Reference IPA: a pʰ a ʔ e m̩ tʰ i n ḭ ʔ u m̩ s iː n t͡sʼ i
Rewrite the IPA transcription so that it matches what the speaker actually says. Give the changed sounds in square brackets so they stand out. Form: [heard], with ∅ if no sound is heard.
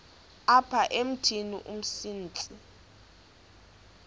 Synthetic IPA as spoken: a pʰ a ʔ e m̩ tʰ i n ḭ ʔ u m̩ s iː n t͡sʼ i